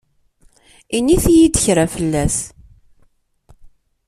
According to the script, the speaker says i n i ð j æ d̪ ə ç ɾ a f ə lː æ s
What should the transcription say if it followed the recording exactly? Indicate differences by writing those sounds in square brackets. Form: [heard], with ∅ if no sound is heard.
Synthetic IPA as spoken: i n i [θ] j [i] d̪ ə ç ɾ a f ə lː æ s